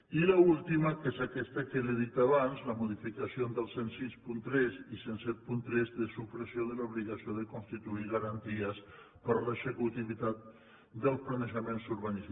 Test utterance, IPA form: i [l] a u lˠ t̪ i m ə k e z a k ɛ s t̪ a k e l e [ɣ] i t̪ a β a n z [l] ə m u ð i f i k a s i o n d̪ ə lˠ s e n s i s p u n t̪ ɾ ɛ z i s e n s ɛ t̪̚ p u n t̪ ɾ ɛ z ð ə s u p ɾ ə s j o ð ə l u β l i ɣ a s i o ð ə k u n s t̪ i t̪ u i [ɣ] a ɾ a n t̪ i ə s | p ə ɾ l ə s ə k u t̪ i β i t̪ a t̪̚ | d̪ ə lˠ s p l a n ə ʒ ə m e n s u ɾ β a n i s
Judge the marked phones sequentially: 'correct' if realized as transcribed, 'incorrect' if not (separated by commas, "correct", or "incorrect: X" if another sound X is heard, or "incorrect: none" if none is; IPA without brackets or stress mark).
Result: correct, incorrect: ð, correct, correct